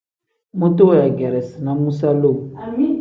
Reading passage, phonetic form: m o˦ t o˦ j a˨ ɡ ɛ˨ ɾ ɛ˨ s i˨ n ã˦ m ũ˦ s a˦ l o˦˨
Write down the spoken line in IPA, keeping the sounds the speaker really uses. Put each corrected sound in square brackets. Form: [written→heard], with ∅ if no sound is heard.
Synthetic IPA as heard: m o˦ t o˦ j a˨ ɡ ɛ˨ ɾ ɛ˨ s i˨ n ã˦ m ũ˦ s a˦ l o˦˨